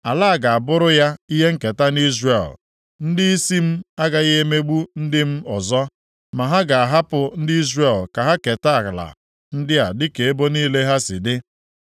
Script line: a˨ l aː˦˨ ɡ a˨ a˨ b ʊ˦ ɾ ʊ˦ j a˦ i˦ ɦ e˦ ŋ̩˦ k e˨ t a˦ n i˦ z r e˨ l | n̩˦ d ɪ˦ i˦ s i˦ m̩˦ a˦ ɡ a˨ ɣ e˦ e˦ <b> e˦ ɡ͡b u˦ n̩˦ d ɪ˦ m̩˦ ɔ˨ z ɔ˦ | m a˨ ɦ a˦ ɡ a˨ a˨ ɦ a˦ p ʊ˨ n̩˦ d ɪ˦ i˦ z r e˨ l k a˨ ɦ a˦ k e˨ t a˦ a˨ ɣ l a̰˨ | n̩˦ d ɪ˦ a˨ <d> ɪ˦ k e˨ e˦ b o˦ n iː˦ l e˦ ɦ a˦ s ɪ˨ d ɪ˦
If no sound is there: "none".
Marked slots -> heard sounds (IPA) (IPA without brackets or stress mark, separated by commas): m, d